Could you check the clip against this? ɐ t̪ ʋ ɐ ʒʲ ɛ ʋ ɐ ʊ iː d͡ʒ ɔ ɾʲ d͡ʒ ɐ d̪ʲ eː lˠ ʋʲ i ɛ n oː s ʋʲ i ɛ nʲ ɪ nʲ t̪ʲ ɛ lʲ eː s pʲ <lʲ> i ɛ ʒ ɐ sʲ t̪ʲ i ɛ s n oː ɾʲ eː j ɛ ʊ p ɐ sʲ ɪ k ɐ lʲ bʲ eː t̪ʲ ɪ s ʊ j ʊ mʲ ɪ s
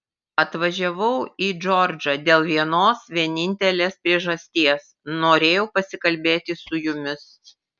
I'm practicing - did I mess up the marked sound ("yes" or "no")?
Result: yes